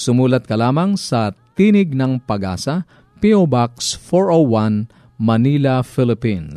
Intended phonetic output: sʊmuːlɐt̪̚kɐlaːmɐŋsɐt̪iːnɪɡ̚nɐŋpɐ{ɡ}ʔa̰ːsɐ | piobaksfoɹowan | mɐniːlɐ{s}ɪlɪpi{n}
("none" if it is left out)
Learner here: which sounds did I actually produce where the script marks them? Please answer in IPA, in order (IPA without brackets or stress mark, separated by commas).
ɡ, f, n